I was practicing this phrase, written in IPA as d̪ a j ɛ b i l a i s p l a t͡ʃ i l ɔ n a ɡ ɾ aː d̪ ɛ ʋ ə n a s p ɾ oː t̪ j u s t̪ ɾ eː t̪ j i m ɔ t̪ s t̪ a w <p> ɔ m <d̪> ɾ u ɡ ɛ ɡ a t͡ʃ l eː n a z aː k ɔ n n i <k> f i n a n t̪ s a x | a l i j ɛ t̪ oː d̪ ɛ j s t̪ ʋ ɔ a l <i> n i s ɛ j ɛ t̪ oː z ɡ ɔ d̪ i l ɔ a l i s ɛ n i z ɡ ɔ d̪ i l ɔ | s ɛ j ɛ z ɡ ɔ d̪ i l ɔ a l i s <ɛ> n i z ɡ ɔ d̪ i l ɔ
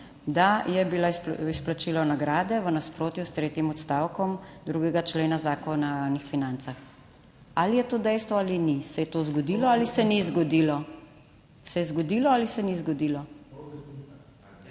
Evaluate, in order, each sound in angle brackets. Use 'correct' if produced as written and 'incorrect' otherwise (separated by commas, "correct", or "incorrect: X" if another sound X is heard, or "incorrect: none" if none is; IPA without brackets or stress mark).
incorrect: k, correct, incorrect: x, correct, correct